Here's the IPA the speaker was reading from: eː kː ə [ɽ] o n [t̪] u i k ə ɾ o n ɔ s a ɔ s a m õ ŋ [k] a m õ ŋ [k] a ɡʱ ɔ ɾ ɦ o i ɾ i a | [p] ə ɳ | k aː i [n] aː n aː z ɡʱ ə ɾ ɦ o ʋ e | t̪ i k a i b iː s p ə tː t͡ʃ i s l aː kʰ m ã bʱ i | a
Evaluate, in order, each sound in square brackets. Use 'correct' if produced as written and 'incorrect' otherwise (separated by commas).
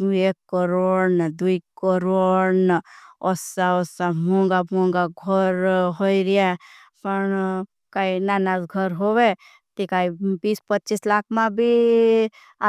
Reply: incorrect, incorrect, incorrect, incorrect, correct, correct